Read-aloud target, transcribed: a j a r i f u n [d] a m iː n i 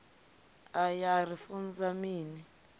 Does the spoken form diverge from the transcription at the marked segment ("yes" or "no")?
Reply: yes